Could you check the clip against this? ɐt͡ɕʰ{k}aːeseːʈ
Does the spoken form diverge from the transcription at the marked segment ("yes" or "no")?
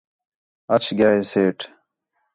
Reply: yes